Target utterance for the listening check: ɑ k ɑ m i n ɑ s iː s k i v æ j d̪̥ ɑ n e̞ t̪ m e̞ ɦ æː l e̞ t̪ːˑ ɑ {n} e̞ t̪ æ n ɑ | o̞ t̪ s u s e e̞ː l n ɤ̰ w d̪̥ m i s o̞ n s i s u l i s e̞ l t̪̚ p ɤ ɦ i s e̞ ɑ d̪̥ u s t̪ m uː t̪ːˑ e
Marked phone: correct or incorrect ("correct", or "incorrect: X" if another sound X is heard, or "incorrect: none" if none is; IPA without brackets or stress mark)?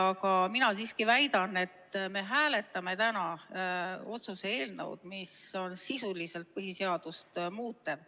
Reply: incorrect: m